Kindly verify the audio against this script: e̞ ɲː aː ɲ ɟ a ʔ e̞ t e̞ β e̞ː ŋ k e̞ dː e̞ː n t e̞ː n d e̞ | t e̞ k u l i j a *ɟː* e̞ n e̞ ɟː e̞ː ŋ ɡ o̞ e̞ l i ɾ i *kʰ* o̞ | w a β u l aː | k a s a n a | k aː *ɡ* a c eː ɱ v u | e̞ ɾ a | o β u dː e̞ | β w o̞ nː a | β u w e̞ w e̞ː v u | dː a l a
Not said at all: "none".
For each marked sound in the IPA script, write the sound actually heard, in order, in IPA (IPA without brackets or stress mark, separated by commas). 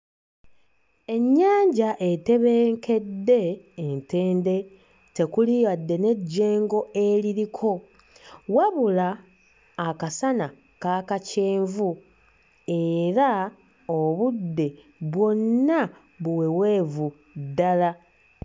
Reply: dː, kʰ, k